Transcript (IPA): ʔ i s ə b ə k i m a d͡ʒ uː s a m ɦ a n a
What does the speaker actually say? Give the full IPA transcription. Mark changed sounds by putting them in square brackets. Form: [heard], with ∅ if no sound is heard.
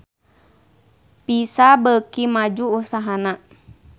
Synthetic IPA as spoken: [p] i s [a] b ə k i m a d͡ʒ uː s a [∅] ɦ a n a